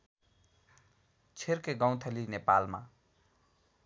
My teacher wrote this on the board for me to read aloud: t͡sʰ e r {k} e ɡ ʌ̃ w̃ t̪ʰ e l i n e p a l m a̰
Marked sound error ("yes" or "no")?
no